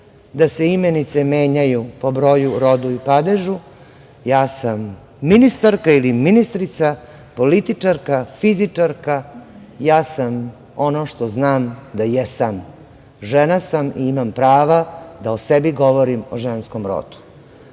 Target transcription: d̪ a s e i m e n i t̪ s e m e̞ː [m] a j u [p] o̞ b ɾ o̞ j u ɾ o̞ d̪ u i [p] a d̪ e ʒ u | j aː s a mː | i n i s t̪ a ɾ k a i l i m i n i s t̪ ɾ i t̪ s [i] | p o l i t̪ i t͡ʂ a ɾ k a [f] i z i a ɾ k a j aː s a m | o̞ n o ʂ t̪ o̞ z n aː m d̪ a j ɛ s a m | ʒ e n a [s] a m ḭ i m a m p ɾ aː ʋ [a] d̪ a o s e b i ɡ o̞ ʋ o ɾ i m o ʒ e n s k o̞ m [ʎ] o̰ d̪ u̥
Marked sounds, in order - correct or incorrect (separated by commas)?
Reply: incorrect, correct, correct, incorrect, correct, correct, correct, incorrect